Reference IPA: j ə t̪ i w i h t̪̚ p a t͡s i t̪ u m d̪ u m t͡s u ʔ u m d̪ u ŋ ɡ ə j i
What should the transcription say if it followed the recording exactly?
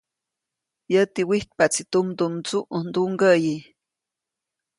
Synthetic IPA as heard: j ə t̪ i w i h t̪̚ p a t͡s i t̪ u m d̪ u m t͡s u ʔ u n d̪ u ŋ ɡ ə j i